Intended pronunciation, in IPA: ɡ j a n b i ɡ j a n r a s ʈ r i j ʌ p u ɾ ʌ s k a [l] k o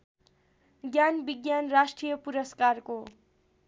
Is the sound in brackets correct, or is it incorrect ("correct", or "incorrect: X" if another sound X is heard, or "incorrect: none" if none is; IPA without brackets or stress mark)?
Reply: incorrect: r